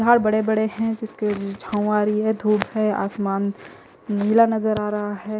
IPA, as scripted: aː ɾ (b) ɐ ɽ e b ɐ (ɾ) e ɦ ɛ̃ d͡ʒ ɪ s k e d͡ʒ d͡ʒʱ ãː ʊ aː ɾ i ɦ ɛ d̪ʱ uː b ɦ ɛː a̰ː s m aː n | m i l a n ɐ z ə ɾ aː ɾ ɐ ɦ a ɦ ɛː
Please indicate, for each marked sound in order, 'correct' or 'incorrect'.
correct, incorrect: ɽ

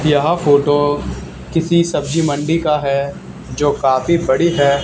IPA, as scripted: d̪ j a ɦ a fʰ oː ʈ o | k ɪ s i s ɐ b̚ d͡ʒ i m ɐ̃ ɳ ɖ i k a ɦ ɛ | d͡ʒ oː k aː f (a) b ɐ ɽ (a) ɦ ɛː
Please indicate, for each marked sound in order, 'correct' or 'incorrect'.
incorrect: i, incorrect: i

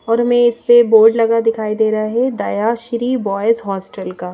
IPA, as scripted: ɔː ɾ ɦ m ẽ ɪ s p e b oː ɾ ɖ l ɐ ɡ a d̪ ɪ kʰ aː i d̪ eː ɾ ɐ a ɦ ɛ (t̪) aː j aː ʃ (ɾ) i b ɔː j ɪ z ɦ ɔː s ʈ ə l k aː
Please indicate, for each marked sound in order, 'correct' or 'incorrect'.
incorrect: d̪, correct

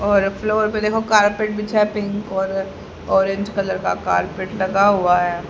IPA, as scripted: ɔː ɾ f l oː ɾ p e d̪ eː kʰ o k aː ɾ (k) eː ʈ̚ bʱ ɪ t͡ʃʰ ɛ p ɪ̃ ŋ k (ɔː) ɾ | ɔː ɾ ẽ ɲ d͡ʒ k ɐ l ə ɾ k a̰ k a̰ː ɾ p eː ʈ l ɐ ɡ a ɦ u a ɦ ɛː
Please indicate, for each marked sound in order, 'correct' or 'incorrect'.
incorrect: p, correct

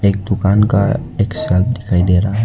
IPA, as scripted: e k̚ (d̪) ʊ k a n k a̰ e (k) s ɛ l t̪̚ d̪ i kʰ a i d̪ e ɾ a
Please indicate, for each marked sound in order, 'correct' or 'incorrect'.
correct, correct

